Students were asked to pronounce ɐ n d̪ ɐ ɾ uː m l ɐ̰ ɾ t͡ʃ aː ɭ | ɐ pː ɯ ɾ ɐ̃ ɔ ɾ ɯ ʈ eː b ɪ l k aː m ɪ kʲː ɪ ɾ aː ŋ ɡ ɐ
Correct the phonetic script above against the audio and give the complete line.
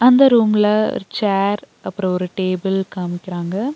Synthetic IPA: ɐ n d̪ ɐ ɾ uː m l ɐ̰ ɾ t͡ʃ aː ɾ | ɐ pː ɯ ɾ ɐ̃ ɔ ɾ ɯ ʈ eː b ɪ l k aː m ɪ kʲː ɪ ɾ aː ŋ ɡ ɐ